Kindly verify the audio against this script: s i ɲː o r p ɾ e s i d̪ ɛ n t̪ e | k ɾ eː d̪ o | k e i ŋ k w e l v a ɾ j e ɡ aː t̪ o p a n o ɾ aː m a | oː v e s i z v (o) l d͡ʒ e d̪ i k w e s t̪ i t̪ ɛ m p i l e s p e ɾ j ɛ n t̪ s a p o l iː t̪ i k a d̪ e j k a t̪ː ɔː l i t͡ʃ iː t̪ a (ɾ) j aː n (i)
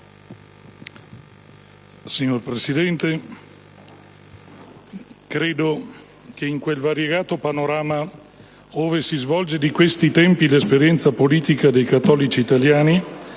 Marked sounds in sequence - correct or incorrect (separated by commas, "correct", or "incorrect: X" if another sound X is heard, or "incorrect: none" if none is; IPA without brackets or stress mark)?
incorrect: ɔ, incorrect: l, correct